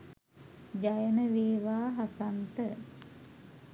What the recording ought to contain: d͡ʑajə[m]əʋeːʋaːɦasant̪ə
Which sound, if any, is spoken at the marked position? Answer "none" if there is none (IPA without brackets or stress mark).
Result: n